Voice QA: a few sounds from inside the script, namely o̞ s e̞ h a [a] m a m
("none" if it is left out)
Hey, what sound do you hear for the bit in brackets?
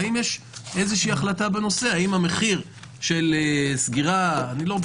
i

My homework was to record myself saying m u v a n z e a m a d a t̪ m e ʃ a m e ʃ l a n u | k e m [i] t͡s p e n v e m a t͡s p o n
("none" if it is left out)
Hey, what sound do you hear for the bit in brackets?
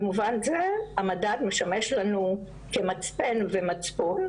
a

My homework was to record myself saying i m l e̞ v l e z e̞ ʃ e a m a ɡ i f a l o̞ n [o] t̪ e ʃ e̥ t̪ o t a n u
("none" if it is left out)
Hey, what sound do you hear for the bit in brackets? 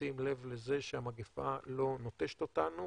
o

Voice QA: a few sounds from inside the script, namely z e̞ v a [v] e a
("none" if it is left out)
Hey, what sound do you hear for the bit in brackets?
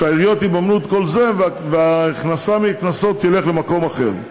v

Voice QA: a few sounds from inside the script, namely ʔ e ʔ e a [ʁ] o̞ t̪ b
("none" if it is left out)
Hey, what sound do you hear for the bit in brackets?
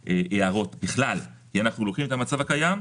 ʁ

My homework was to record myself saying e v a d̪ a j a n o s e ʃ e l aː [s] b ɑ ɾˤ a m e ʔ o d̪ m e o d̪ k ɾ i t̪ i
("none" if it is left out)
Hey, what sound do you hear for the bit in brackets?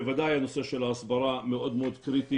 s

